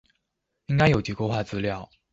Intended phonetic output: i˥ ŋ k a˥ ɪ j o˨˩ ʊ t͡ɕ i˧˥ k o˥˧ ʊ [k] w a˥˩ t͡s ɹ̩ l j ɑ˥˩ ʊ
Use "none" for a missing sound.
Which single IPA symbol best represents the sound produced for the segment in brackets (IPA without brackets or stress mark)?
x